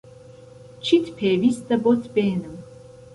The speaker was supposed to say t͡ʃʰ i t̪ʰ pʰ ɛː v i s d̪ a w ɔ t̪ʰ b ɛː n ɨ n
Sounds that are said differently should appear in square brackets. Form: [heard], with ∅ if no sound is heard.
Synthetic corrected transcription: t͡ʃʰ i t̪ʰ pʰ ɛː v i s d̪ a [b] ɔ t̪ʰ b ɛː n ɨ [m]